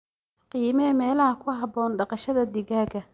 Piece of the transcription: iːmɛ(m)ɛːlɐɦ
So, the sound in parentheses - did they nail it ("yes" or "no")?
yes